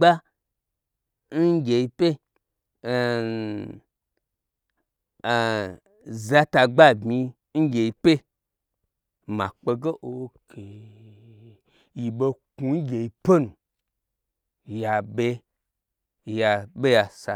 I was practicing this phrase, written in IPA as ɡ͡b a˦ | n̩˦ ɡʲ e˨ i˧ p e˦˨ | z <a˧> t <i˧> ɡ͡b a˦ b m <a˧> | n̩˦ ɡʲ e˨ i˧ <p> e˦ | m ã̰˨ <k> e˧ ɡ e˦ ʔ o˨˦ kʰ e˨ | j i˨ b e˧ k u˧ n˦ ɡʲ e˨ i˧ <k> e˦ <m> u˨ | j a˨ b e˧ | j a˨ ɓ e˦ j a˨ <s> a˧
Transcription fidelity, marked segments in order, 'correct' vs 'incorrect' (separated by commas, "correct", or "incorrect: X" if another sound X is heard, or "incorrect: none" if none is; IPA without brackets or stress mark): correct, incorrect: a˧, incorrect: i˧, correct, incorrect: k͡p, incorrect: p, incorrect: n, correct